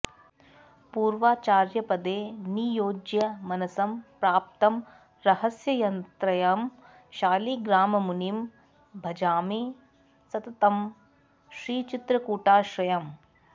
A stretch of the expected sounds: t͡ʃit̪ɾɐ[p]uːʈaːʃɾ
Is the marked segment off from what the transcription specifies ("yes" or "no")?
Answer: yes